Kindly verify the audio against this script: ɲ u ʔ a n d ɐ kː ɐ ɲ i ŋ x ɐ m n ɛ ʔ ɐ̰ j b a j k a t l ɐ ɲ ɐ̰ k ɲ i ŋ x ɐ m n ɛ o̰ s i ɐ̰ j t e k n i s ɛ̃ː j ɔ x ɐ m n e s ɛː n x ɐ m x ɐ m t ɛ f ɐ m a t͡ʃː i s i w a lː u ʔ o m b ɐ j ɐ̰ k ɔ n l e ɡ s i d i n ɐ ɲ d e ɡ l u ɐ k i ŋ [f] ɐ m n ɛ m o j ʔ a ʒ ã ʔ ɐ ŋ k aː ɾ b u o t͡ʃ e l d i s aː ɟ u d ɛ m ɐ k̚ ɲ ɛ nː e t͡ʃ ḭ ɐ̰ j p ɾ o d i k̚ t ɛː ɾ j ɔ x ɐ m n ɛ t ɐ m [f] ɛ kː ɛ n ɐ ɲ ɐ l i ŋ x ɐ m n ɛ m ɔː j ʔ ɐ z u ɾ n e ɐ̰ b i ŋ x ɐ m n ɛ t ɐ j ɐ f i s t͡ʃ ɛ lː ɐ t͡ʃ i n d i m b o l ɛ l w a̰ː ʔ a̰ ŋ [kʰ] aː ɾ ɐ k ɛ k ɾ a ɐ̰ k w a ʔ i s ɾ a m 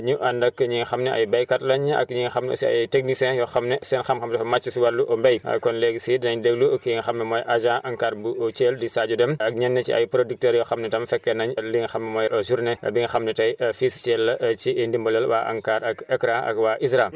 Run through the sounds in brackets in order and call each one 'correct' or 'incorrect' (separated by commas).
incorrect, correct, incorrect